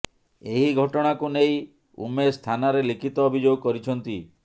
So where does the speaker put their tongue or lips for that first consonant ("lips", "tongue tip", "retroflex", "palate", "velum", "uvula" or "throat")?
throat